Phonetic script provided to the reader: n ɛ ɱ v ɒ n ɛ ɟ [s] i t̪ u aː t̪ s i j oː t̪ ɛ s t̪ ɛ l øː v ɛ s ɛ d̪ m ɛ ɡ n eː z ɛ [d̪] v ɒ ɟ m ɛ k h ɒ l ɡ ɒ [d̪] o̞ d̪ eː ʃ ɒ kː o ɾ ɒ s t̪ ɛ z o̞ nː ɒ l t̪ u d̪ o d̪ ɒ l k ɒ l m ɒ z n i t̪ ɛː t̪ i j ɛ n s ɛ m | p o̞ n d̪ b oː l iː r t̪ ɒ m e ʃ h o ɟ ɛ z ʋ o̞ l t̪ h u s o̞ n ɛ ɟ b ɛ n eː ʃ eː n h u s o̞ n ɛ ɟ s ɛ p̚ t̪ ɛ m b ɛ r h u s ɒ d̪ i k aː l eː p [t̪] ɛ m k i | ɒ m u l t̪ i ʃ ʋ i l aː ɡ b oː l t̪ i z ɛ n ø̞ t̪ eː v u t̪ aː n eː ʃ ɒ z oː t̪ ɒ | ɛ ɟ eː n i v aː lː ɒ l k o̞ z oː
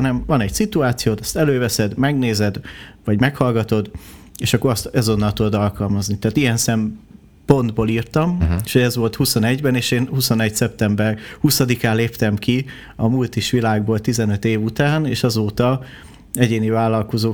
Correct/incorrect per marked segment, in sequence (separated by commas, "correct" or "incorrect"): correct, correct, incorrect, correct